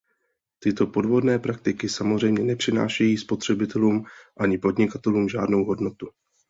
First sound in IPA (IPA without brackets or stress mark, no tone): t̪